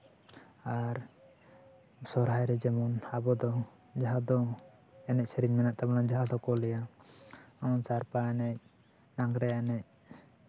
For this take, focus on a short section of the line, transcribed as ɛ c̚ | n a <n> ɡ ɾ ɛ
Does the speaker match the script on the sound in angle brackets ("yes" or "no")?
no